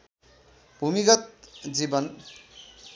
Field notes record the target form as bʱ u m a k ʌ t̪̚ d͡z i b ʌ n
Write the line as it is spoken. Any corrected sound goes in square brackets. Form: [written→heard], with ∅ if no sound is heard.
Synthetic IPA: bʱ u m [a→i] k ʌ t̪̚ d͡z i b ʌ n